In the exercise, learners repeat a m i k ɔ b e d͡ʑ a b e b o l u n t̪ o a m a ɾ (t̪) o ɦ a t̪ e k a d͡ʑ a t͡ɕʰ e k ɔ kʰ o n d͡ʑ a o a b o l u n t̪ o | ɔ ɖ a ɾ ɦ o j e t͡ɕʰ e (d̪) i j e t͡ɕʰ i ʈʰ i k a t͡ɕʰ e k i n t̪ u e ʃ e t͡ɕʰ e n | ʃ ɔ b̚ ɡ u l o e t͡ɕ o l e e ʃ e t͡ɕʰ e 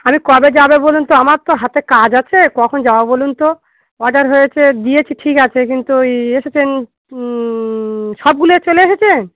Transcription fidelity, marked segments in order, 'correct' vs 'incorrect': correct, correct

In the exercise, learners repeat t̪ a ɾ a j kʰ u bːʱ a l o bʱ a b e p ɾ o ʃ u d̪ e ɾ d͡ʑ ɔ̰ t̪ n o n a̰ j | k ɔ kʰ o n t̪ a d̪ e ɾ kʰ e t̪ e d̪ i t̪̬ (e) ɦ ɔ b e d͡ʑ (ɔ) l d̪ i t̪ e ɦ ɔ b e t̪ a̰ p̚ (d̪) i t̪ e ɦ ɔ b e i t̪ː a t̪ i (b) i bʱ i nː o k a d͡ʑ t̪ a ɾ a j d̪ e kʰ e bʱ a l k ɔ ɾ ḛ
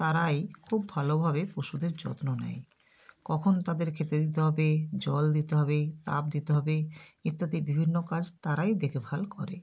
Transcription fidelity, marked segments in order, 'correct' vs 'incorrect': correct, correct, correct, correct

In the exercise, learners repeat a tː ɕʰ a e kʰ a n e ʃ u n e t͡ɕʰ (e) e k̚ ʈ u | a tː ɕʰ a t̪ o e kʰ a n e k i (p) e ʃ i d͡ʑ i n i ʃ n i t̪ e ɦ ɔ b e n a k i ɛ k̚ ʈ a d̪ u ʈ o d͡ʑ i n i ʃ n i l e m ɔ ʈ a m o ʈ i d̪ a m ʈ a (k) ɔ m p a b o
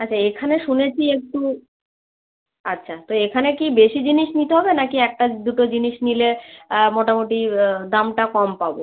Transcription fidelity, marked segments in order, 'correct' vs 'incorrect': incorrect: i, incorrect: b, correct

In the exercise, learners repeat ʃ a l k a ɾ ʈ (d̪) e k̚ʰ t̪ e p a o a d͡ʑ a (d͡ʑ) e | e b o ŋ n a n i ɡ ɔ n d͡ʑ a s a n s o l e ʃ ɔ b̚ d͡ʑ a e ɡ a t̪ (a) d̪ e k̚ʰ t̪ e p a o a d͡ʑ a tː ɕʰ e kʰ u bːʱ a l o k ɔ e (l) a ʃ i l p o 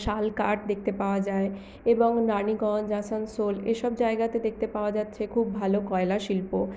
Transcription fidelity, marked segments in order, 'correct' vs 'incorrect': correct, incorrect: none, incorrect: e, correct

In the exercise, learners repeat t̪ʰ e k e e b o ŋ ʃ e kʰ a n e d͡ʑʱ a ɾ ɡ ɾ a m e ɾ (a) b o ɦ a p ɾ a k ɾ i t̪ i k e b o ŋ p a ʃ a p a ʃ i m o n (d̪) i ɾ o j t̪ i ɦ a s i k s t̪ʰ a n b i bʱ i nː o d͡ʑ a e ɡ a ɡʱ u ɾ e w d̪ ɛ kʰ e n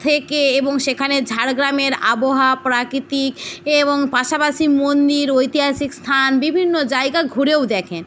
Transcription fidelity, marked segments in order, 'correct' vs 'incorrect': correct, correct

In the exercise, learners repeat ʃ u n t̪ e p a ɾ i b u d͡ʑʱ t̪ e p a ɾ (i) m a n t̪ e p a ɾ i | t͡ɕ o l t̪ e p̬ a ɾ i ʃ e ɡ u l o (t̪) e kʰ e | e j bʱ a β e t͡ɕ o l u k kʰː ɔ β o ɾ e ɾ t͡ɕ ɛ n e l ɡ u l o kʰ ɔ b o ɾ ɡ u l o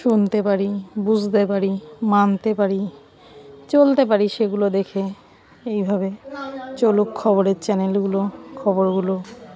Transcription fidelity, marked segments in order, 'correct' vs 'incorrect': correct, incorrect: d̪

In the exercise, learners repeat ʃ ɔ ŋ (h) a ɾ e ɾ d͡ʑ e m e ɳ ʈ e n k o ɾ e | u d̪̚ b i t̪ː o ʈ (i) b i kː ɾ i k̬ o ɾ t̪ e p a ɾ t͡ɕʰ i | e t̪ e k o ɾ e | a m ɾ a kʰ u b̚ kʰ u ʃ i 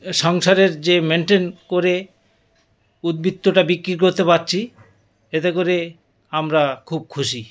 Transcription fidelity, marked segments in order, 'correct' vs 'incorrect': incorrect: ʃ, incorrect: a

